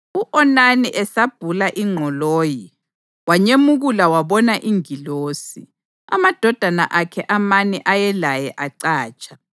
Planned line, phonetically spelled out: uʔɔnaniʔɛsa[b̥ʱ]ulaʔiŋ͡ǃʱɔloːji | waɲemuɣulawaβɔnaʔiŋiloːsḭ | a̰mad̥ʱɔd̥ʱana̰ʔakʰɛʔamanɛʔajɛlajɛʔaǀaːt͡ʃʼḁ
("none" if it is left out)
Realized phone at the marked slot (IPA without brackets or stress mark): b̥ʱ